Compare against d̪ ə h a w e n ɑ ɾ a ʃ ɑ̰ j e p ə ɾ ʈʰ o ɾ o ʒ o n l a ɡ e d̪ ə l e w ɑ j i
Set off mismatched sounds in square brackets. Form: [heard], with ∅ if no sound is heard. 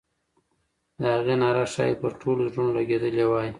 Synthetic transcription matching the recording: d̪ ə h a [ɣ] e n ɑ ɾ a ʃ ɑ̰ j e p ə ɾ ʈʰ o [l] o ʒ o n l a ɡ e d̪ ə l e w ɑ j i